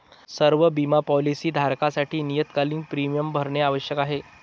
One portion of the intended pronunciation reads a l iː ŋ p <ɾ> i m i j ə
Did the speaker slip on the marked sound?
no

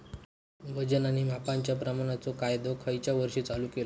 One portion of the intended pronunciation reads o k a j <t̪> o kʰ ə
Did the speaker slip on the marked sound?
yes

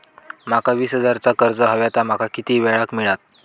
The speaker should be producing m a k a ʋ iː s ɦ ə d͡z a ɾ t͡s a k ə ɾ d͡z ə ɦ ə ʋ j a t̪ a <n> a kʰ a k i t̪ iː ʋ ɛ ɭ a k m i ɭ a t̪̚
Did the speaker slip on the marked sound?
yes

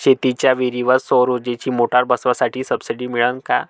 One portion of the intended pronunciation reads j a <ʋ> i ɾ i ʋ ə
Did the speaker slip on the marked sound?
no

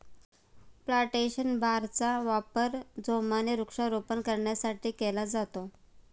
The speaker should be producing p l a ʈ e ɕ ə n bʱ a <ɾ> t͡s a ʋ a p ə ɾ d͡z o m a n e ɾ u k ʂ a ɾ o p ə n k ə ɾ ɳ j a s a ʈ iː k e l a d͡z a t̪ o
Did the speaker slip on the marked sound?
no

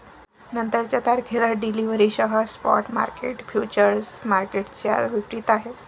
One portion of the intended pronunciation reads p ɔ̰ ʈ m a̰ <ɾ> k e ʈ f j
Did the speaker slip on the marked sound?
no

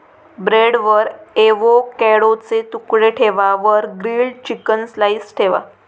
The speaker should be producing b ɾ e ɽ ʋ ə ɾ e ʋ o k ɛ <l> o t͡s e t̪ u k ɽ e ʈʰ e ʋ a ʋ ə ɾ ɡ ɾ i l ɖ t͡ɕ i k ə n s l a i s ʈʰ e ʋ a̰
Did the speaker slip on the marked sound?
yes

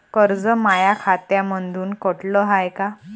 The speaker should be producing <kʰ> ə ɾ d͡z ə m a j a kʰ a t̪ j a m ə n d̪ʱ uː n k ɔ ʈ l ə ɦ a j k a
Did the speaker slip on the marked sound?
yes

